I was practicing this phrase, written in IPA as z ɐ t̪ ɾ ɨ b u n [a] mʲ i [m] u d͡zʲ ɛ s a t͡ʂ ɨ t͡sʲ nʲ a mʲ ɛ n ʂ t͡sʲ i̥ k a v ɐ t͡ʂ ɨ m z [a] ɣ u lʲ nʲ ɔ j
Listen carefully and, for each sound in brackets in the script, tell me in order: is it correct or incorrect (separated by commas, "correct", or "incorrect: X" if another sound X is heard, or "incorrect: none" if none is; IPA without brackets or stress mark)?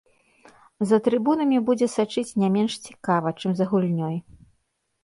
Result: incorrect: ɐ, incorrect: b, incorrect: ɐ